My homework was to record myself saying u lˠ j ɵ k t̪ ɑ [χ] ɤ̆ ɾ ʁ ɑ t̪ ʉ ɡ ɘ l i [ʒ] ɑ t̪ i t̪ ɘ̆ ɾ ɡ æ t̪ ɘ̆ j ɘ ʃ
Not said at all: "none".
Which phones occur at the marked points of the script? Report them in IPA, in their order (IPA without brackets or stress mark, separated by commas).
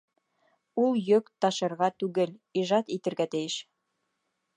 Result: ʃ, ʒ